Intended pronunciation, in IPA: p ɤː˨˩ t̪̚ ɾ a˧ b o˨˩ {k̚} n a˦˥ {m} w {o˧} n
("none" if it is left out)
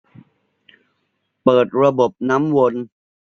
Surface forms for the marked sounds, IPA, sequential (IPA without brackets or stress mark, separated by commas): p̚, m, o˧